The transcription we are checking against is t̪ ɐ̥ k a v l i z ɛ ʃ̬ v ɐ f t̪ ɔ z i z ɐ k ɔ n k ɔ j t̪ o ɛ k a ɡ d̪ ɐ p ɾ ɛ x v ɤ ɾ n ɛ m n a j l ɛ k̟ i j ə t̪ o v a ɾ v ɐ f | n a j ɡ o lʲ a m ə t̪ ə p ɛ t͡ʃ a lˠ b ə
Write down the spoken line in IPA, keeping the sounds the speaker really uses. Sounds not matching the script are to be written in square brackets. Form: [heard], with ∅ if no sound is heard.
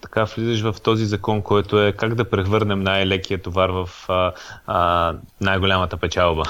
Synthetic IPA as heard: t̪ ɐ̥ k a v l i z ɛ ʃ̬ v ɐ f t̪ ɔ z i z ɐ k ɔ n k ɔ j t̪ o ɛ k a ɡ d̪ ɐ p ɾ ɛ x v ɤ ɾ n ɛ m n a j l ɛ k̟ i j ə t̪ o v a ɾ v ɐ f | n a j ɡ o lʲ a m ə t̪ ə p ɛ t͡ʃ a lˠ b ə